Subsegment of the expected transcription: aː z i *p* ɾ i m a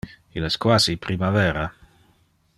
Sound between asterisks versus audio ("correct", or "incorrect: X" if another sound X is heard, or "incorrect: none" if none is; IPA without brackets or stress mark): correct